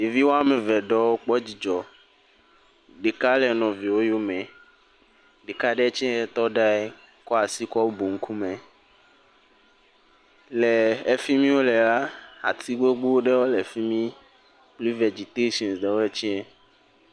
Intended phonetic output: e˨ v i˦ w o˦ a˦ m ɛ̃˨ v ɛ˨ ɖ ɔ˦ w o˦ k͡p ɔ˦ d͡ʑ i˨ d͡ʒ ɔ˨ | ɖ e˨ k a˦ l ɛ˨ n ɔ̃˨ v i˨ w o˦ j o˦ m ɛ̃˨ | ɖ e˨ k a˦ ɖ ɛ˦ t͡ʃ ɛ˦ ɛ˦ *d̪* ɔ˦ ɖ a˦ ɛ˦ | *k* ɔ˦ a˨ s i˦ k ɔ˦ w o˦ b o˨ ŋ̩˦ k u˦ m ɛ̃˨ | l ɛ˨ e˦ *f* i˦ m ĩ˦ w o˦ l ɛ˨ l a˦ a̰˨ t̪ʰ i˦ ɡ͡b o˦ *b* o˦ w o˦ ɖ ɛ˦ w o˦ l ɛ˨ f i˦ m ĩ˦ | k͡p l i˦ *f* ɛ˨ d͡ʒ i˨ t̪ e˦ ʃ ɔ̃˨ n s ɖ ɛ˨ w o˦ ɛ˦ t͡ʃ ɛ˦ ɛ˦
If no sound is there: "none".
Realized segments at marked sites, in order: t̪, k, f, ɡ͡b, v

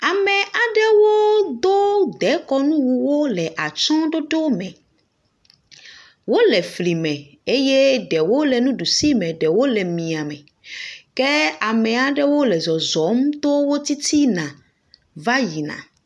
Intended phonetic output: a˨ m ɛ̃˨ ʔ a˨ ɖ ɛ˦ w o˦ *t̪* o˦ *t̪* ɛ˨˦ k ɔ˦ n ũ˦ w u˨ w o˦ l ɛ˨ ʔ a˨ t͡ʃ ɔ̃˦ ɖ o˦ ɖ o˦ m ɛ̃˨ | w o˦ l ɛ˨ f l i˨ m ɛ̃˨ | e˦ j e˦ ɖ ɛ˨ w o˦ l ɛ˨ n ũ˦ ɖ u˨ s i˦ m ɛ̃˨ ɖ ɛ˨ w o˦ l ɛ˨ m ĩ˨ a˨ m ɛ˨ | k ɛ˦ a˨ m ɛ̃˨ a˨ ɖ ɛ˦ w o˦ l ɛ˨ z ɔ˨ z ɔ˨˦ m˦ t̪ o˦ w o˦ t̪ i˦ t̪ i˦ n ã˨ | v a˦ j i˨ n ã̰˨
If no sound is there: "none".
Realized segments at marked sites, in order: d̪, d̪

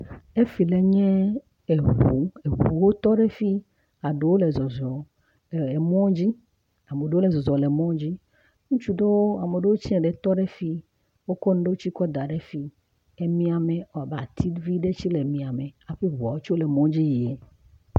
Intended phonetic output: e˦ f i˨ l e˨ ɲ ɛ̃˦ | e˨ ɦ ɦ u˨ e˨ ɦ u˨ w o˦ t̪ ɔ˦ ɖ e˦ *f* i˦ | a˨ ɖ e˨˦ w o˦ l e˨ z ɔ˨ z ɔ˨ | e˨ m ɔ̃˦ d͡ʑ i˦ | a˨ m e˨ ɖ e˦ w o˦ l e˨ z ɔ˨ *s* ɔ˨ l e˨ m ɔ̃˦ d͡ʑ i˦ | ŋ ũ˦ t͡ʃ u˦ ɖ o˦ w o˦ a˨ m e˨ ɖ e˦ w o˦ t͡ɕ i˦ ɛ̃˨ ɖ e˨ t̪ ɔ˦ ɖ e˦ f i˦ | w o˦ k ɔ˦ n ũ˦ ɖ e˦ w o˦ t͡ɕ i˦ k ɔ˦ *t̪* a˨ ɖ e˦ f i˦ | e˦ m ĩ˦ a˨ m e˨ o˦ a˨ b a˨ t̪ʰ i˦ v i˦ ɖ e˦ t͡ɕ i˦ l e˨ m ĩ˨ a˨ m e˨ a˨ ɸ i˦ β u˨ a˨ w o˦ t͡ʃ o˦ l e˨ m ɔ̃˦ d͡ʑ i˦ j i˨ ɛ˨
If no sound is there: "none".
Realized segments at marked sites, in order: f, z, d̪

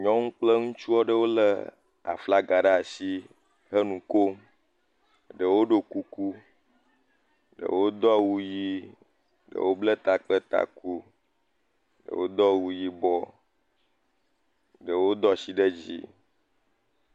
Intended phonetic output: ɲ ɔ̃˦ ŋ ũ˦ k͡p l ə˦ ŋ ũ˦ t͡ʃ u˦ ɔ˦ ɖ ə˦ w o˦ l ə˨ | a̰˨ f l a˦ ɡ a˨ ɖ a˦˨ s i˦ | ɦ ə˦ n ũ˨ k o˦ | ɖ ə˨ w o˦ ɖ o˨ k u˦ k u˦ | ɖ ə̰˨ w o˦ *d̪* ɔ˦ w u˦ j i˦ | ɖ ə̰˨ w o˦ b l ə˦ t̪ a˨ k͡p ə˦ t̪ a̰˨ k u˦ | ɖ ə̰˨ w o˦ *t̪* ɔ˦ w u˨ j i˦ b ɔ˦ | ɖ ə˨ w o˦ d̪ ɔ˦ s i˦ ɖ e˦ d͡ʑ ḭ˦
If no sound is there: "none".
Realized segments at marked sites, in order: d̪, d̪

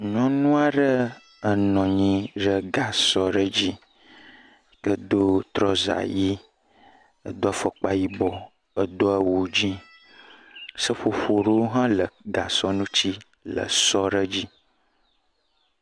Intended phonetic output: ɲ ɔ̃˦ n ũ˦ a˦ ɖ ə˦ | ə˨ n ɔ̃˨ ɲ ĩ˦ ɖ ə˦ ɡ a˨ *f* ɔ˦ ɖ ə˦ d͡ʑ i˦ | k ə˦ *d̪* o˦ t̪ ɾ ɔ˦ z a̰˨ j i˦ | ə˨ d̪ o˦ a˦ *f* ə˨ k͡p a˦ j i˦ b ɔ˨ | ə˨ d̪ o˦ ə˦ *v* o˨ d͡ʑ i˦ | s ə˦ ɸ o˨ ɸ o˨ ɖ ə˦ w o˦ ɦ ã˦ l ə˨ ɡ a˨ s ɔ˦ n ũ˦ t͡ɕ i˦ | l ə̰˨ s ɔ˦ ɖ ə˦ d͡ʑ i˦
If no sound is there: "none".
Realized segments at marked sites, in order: s, d̪, f, w

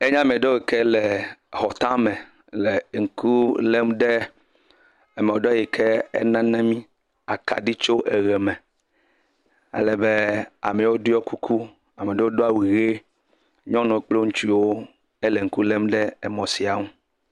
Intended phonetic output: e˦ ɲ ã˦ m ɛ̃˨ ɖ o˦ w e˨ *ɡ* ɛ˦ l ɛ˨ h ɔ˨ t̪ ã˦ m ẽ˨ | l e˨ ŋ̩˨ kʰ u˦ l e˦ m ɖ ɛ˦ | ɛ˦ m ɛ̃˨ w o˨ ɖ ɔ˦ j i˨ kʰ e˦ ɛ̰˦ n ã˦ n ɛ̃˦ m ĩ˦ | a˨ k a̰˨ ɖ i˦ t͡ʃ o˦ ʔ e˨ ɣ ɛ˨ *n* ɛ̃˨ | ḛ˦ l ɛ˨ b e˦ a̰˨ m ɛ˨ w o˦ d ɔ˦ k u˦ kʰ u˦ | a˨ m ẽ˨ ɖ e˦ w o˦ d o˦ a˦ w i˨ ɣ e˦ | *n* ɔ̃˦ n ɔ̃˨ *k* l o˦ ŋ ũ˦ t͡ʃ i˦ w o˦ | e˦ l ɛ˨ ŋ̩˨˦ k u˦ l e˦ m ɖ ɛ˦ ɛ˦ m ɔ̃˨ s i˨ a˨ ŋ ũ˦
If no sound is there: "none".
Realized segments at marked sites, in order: k, m, ɲ, k͡p

